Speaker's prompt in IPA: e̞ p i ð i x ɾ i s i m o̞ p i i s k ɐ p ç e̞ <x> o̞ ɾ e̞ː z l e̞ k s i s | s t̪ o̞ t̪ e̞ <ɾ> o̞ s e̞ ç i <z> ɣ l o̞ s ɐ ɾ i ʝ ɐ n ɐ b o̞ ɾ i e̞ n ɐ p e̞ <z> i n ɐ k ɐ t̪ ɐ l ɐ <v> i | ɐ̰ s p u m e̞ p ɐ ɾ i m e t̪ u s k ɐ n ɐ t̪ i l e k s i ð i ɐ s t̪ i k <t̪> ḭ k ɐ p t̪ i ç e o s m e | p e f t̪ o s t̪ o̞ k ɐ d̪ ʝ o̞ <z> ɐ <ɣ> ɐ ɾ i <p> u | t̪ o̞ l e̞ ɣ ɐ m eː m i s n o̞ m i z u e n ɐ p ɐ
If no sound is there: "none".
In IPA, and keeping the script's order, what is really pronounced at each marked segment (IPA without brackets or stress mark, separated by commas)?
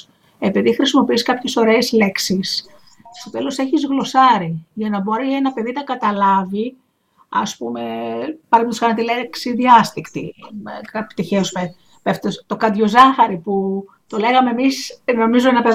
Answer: s, l, z, ð, v, t̪, z, x, p